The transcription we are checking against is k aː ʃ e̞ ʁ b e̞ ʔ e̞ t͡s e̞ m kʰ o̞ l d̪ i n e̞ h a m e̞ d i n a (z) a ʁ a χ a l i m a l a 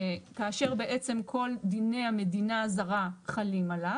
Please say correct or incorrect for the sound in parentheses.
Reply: correct